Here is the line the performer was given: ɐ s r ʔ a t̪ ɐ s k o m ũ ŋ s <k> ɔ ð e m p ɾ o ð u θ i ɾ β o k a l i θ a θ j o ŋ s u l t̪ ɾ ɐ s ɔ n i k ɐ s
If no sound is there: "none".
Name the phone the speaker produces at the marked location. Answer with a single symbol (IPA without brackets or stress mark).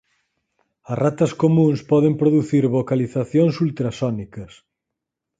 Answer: p